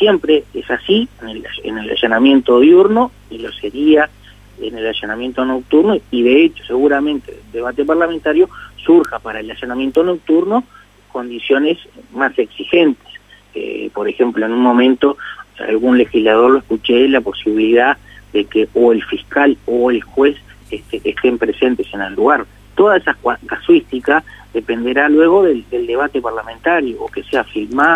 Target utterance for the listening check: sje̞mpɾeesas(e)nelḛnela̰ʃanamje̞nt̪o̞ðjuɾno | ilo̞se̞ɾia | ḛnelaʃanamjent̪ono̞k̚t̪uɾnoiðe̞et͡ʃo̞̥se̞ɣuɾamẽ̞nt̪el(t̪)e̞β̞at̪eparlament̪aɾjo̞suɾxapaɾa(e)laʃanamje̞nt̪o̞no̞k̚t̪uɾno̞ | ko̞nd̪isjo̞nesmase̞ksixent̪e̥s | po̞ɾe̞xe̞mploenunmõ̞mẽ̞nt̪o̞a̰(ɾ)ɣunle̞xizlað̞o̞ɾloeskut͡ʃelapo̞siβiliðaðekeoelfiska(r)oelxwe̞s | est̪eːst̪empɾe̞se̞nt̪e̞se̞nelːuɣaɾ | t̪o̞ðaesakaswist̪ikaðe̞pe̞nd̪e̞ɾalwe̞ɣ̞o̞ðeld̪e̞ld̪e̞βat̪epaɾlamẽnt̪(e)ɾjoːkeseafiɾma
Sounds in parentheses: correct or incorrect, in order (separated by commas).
incorrect, incorrect, correct, incorrect, incorrect, incorrect